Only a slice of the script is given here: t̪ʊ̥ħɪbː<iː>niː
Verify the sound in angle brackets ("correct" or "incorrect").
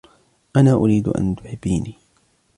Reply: correct